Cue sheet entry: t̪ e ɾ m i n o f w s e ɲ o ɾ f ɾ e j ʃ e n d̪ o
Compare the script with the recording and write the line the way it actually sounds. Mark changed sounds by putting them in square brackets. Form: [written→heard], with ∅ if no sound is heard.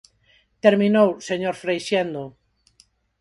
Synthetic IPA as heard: t̪ e ɾ m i n o [f→∅] w s e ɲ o ɾ f ɾ e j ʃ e n d̪ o